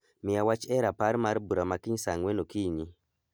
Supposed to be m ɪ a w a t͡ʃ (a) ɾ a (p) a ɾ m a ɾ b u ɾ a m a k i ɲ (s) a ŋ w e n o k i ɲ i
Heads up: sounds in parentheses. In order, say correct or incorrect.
incorrect: ɛ, correct, correct

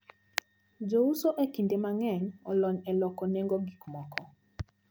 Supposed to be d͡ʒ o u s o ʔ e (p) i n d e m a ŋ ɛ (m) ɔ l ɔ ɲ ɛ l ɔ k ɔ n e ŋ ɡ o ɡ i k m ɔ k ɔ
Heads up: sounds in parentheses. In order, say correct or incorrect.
incorrect: k, incorrect: ɲ

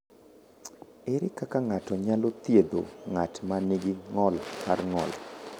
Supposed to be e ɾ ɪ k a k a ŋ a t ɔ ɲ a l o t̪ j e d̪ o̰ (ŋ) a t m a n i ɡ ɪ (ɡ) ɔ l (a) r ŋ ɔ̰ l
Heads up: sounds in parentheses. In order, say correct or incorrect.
correct, incorrect: ŋ, correct

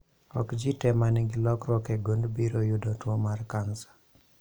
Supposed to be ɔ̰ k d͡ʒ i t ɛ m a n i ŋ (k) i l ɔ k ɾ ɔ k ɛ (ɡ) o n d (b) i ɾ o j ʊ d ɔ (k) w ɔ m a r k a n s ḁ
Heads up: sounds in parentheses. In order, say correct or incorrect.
incorrect: ɡ, correct, correct, incorrect: t

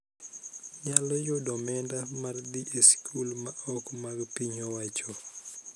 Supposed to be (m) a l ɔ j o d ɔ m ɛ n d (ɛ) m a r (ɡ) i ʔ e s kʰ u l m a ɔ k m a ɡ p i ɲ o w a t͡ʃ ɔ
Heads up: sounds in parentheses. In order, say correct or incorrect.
incorrect: ɲ, incorrect: a, incorrect: d

